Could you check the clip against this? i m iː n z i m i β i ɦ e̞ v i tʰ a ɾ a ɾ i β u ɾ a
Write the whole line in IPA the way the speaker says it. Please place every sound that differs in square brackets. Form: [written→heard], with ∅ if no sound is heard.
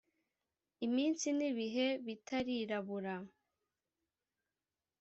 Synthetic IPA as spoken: i m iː n [z→s] i [m→n] i β i ɦ e̞ [v→β] i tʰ a ɾ [a→i] ɾ [i→a] β u ɾ a